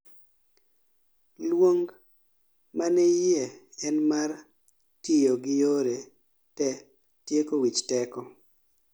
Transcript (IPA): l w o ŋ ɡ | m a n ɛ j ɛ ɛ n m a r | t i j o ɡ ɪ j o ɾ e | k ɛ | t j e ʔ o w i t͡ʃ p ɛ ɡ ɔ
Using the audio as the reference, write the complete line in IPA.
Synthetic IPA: l w o ŋ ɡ | m a n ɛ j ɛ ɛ n m a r | t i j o ɡ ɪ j o ɾ e | t ɛ | t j e k o w i t͡ʃ t ɛ k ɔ

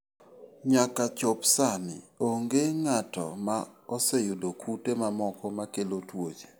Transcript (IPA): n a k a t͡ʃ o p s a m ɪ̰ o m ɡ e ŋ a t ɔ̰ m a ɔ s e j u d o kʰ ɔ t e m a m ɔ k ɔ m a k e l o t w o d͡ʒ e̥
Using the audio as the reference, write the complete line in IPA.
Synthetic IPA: ɲ a k a t͡ʃ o p s a n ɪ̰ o ŋ ɡ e ŋ a t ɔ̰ m a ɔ s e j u d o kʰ u t e m a m ɔ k ɔ m a k e l o t w o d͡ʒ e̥

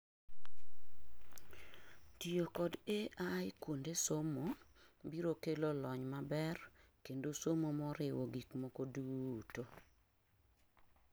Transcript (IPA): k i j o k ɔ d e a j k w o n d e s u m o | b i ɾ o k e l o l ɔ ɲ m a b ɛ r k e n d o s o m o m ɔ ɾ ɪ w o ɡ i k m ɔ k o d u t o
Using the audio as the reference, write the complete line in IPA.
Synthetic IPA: t i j o k ɔ d e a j k w o n d e s o m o | b i ɾ o k e l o l ɔ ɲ m a b ɛ r k e n d o s o m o m ɔ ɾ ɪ w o ɡ i k m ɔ k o d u t o

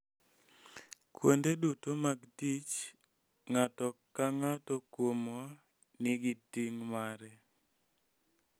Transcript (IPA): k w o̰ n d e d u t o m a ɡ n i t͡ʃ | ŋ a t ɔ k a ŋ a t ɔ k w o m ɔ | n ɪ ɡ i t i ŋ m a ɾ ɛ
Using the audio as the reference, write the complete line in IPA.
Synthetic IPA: k w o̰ n d e d u t o m a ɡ d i t͡ʃ | ŋ a t ɔ k a ŋ a t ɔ k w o m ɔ | n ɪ ɡ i t i ŋ m a ɾ ɛ

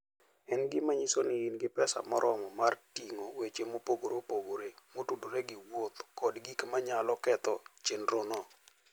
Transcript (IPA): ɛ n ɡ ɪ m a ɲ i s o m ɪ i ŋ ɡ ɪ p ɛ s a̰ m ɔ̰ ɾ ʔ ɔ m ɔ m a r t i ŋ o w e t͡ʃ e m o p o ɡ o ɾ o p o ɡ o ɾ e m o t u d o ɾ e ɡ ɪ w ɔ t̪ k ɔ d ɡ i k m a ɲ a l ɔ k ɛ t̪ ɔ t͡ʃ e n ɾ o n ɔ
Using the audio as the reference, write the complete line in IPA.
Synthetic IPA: ɛ n ɡ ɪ m a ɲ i s o n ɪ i n ɡ ɪ p ɛ s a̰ m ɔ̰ ɾ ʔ ɔ m ɔ m a r t i ŋ o w e t͡ʃ e m o p o ɡ o ɾ o p o ɡ o ɾ e m o t u d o ɾ e ɡ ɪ w o t̪ k ɔ d ɡ i k m a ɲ a l ɔ k ɛ t̪ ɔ t͡ʃ e n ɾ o n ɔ

